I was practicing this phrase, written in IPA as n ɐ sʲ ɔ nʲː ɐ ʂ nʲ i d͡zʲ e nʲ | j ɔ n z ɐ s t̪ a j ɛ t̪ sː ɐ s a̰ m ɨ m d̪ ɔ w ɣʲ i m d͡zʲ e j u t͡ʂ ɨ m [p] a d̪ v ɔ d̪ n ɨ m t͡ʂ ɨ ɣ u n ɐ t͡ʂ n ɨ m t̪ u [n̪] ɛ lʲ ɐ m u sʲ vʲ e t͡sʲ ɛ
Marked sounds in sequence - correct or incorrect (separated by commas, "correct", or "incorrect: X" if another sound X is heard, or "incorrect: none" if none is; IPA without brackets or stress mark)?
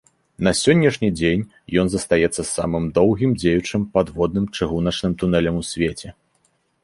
correct, correct